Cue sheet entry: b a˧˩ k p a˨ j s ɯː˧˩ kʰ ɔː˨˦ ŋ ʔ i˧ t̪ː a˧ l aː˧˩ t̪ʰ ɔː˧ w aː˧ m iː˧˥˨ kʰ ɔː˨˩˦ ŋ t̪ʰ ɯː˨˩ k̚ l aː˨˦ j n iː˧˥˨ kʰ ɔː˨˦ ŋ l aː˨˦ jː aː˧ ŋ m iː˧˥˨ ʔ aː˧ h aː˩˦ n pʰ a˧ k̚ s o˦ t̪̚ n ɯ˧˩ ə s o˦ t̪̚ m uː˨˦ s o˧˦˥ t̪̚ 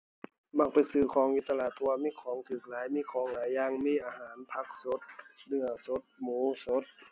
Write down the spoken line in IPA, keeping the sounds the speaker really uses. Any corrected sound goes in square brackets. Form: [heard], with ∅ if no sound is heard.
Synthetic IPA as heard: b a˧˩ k p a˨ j s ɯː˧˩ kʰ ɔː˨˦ ŋ ʔ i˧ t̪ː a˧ l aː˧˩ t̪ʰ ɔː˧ w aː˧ m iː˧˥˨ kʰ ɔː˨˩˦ ŋ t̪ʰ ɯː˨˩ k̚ l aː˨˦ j [m] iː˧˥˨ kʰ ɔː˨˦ ŋ l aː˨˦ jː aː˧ ŋ m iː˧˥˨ ʔ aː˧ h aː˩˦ n pʰ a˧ k̚ s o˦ t̪̚ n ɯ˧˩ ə s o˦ t̪̚ m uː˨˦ s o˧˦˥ t̪̚